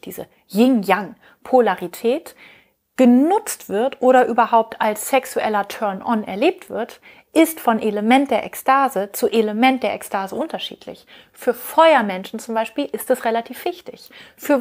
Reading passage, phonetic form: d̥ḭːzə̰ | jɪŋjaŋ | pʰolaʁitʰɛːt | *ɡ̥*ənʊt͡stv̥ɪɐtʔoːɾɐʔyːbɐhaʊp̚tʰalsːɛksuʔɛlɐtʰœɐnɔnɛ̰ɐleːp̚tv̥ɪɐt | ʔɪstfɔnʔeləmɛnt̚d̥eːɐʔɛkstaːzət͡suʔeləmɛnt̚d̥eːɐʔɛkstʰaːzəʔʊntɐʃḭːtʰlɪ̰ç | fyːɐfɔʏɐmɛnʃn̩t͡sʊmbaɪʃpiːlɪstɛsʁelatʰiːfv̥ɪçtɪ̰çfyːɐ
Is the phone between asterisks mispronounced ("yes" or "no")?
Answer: no